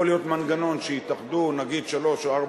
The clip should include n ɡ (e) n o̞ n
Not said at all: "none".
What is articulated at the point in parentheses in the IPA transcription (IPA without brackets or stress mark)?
a